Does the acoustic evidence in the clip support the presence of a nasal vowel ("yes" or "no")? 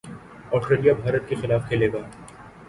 no